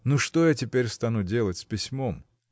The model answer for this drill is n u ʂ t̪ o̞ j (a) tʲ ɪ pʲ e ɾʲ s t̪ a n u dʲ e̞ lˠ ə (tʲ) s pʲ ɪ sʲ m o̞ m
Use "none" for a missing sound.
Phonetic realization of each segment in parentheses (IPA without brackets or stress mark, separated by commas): a, tʲ